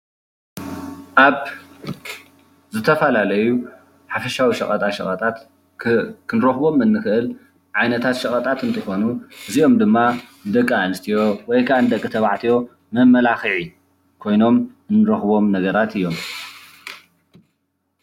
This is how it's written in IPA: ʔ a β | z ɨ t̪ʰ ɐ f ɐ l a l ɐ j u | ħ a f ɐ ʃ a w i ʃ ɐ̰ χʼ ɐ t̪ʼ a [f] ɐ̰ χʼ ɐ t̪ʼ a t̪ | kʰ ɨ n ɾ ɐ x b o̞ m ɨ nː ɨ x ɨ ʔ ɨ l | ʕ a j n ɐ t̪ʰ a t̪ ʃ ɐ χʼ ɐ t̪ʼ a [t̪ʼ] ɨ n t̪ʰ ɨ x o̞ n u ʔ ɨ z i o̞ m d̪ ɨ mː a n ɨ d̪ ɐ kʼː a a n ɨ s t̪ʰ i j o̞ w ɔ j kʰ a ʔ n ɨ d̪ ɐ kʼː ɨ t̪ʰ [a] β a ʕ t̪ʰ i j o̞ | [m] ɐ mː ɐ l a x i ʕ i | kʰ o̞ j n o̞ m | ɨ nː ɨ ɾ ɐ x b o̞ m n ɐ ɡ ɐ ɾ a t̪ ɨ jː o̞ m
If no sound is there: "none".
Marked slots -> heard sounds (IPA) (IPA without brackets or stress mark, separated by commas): ʃ, t̪, ɐ, m